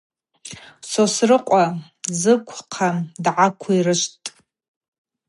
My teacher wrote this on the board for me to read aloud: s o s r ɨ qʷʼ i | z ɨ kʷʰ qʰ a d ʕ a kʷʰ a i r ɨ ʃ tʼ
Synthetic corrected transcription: s o s r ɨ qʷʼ a | z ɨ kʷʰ qʰ a d ʕ a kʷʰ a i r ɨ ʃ tʼ